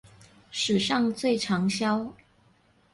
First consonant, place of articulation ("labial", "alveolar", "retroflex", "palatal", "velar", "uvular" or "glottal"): retroflex